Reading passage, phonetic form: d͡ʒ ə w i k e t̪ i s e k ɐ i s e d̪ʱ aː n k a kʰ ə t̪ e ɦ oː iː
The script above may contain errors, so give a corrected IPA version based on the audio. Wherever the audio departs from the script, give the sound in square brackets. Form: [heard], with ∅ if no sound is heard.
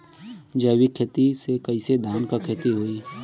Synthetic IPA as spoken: d͡ʒ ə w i [kʰ] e t̪ i s e k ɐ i s e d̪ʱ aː n k a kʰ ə t̪ [i] ɦ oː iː